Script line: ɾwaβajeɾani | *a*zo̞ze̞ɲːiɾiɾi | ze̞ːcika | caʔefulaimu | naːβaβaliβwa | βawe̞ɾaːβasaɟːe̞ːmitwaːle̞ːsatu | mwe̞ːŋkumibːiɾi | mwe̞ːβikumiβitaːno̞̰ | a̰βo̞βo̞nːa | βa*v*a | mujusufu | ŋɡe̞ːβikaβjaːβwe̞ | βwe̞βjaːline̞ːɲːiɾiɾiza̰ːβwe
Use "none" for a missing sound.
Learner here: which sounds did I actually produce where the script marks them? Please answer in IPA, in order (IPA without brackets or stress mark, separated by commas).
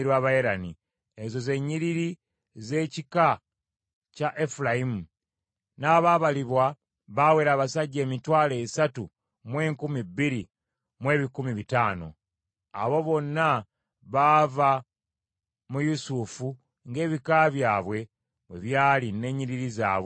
e, v